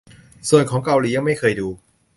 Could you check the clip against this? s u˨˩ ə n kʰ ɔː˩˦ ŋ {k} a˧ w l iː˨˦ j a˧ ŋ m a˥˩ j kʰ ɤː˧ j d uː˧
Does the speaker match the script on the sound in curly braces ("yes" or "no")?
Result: yes